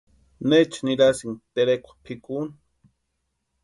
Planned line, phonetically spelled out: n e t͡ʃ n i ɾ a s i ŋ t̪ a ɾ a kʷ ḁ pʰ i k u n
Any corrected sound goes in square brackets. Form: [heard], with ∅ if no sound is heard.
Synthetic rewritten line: n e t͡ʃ n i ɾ a s i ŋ t̪ [e] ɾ [e] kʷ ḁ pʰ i k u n